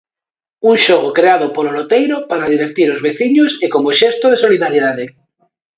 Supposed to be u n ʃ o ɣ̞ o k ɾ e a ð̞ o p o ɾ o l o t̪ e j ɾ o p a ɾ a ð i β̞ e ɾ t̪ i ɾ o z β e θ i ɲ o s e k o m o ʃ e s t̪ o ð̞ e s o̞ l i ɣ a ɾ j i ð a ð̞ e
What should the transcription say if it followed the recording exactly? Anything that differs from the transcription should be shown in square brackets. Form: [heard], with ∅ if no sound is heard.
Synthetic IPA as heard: u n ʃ o ɣ̞ o k ɾ e a ð̞ o p o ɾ o l o t̪ e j ɾ o p a ɾ a ð i β̞ e ɾ t̪ i ɾ o z β e θ i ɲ o s e k o m o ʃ e s t̪ o ð̞ e s o̞ l i [ð] a ɾ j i ð a ð̞ e